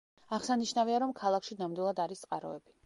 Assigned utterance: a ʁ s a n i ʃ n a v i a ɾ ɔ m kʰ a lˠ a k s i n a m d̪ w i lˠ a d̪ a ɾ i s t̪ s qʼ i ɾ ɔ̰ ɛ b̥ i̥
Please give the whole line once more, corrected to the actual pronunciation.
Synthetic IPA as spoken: a ʁ s a n i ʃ n a v i a ɾ ɔ m kʰ a lˠ a k ʃ i n a m d̪ w i lˠ a d̪ a ɾ i s t̪ s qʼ a ɾ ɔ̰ ɛ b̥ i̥